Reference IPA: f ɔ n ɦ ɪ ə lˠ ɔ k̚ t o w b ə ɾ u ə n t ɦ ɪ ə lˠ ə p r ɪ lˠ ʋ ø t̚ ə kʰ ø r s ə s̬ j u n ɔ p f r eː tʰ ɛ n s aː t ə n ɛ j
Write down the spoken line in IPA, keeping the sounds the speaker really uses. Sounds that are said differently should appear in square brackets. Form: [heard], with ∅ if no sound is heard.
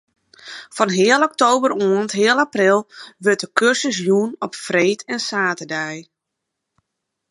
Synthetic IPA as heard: f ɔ n ɦ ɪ ə lˠ ɔ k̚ t o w b ə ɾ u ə n t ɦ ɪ ə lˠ [a] p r ɪ lˠ ʋ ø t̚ ə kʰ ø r s ə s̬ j u n ɔ p f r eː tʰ ɛ n s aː t ə [d] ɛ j